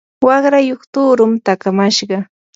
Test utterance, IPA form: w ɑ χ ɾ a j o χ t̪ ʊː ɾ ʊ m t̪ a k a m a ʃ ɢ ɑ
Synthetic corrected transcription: w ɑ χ ɾ a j o χ t̪ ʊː ɾ ʊ m t̪ a k a m a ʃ ɢ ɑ